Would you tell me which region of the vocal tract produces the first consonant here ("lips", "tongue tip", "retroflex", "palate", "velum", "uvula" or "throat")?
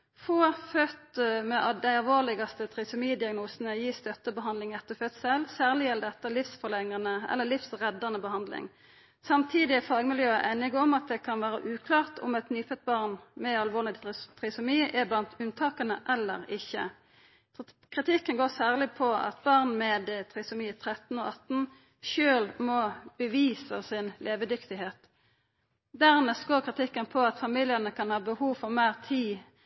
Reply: lips